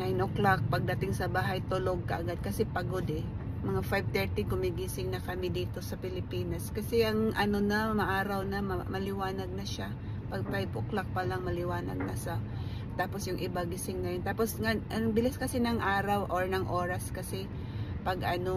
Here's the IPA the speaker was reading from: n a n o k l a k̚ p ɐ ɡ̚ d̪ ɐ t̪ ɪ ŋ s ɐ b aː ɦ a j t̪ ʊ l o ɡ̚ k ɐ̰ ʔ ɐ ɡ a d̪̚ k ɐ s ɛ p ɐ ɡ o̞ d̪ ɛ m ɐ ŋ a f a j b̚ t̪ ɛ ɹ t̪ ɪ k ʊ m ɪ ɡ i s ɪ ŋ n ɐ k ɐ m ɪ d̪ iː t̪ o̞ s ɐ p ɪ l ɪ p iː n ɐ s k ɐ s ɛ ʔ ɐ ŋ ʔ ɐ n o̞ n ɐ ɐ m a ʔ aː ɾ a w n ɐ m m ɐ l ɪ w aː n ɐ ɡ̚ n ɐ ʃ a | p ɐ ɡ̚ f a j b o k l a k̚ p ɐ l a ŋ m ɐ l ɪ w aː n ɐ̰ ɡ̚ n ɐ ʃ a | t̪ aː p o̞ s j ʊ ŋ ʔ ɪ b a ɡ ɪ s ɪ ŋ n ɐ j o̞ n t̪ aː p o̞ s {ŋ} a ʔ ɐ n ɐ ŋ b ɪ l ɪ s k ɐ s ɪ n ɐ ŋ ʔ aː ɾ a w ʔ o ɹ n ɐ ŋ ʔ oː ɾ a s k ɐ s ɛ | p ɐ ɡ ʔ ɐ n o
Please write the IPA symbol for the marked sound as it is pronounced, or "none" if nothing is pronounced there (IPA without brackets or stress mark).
ŋ